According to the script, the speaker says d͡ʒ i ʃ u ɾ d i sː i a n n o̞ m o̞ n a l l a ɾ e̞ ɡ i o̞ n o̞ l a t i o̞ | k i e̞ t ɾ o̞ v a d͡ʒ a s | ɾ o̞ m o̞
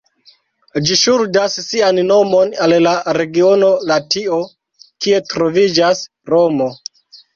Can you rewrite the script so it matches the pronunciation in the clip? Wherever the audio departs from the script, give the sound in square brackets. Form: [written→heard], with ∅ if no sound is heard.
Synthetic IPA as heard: d͡ʒ i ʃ u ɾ d [i→a] sː i a n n o̞ m o̞ n a l l a ɾ e̞ ɡ i o̞ n o̞ l a t i o̞ | k i e̞ t ɾ o̞ v [a→i] d͡ʒ a s | ɾ o̞ m o̞